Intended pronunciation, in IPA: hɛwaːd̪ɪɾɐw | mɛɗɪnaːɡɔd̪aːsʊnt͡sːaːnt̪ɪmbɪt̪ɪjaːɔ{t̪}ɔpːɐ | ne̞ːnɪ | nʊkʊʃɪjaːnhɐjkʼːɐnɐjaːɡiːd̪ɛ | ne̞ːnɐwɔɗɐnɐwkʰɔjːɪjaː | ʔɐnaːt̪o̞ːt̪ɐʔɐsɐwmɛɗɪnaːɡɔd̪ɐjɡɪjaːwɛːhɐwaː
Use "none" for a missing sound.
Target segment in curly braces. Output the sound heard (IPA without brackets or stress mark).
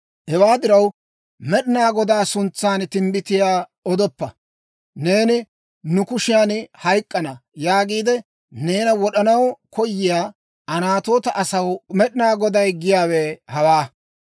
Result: d̪